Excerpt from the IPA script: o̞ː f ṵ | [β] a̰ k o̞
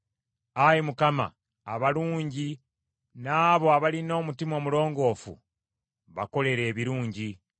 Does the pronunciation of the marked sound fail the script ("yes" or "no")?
no